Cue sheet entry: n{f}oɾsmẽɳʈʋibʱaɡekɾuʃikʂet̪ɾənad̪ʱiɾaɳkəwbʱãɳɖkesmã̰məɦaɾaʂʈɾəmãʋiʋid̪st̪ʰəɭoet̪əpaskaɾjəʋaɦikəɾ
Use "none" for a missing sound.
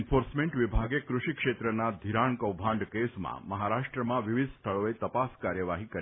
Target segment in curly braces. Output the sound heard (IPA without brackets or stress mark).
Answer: f